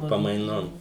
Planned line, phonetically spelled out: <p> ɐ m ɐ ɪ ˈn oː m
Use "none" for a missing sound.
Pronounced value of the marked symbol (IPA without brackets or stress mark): p